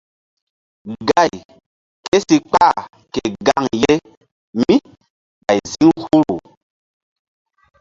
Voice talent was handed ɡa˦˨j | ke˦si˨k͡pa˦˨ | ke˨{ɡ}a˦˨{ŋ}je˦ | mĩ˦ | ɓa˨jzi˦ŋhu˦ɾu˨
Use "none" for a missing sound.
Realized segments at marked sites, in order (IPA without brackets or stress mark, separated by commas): ɡ, ŋ